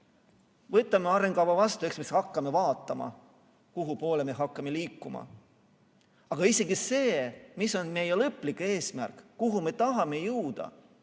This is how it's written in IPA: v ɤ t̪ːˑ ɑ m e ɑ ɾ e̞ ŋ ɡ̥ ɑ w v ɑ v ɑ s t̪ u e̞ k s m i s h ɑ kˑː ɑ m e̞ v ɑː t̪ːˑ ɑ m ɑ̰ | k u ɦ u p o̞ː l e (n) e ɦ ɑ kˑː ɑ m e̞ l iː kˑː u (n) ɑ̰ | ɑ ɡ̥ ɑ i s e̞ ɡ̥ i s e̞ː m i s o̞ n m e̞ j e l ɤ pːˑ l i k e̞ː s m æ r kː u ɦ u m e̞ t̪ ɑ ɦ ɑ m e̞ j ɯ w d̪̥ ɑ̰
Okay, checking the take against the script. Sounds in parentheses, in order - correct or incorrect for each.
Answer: incorrect: m, incorrect: m

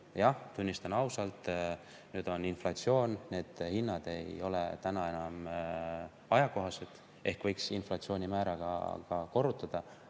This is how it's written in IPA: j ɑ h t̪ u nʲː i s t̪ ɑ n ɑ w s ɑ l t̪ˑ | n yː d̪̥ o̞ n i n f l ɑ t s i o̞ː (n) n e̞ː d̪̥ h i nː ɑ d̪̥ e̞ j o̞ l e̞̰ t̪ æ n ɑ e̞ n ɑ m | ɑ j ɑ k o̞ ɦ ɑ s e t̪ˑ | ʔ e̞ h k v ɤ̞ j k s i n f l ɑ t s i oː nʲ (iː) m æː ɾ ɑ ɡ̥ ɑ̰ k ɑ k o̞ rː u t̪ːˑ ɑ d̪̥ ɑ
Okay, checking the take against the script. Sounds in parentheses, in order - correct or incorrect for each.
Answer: correct, incorrect: i

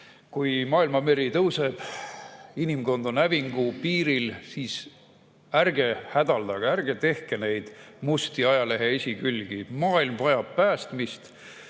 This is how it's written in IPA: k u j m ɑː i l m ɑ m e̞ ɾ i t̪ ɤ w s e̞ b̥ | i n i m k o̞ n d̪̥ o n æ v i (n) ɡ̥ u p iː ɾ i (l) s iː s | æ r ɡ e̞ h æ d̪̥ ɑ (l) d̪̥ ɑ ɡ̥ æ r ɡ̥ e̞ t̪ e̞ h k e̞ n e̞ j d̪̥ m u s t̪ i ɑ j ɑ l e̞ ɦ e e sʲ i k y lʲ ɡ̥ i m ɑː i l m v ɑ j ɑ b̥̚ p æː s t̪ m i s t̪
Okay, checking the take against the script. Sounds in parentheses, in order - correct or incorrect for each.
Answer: incorrect: ŋ, correct, correct

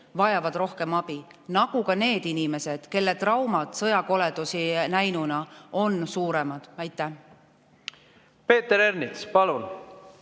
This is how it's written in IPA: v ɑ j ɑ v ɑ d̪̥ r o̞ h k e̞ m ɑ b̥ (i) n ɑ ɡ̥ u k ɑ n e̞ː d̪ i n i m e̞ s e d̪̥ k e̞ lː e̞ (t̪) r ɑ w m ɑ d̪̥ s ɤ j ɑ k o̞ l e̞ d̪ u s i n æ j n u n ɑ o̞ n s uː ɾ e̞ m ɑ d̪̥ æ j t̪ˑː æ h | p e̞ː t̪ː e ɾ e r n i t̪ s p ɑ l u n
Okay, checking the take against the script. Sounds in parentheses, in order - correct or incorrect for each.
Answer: correct, correct

